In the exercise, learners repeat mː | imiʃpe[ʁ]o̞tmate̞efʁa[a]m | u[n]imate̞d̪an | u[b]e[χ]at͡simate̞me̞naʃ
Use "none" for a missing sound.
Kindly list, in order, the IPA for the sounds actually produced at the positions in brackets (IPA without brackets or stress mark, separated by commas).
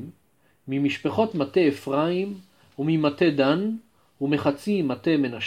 χ, i, m, m, χ